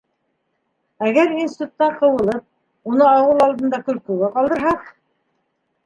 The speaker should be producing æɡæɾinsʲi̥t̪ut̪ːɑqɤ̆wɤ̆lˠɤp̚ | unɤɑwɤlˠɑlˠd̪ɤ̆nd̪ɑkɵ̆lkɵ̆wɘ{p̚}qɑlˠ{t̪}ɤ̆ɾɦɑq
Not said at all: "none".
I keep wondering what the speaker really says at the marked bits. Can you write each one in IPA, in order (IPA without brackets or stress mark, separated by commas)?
none, d̪